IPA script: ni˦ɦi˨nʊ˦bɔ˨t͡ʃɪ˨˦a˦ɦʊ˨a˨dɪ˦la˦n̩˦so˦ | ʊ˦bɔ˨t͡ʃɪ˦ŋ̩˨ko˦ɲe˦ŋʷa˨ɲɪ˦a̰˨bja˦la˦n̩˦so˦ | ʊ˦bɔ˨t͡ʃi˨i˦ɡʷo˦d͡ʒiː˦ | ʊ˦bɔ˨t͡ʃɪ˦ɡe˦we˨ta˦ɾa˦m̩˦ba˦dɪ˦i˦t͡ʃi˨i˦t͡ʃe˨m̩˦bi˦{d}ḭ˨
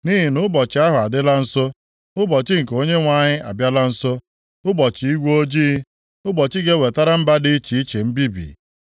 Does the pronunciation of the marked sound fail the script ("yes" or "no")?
yes